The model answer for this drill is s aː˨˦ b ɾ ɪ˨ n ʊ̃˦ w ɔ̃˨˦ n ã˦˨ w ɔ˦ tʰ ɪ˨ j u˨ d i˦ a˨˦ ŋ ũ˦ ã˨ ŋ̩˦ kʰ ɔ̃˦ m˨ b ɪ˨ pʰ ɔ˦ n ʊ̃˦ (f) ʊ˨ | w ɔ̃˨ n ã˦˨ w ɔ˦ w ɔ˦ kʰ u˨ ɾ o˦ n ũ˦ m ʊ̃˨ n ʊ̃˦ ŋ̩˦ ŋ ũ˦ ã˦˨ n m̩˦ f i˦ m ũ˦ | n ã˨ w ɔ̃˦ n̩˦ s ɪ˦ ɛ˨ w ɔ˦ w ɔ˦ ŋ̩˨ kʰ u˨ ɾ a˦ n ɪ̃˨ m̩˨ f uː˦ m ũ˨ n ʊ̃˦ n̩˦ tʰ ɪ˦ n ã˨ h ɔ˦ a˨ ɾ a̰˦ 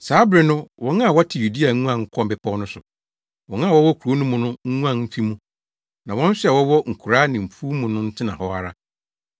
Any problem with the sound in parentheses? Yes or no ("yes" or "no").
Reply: yes